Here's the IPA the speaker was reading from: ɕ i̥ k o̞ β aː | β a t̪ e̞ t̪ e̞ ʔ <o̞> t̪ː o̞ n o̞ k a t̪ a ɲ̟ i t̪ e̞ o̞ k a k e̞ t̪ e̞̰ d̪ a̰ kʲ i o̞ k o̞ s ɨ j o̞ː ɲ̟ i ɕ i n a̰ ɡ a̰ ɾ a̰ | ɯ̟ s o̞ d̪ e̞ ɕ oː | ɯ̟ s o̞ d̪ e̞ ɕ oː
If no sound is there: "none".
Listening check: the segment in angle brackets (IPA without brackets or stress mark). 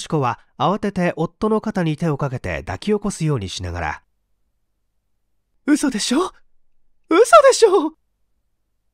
o̞